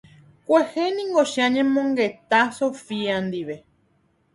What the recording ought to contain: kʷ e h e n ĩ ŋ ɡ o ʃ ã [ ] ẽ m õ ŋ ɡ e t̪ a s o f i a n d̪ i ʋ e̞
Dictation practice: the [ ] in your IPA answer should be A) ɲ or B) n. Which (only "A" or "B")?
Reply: A